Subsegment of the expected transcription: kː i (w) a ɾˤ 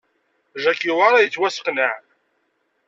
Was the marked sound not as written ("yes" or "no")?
no